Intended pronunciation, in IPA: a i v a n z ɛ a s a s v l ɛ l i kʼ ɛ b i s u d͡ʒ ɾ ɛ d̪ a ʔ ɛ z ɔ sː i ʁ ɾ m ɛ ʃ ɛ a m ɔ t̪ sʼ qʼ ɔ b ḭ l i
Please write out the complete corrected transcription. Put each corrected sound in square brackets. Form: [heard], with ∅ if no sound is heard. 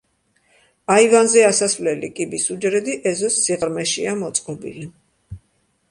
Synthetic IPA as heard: a i v a n z ɛ a s a s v l ɛ l i kʼ [i] b i s u d͡ʒ ɾ ɛ d̪ [i] ʔ ɛ z ɔ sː i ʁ ɾ m ɛ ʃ [i] a m ɔ t̪ sʼ qʼ ɔ b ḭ l i